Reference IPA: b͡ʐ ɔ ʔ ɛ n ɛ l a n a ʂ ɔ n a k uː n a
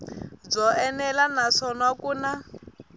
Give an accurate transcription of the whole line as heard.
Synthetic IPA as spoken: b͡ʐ ɔ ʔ ɛ n ɛ l a n a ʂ ɔ n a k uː n a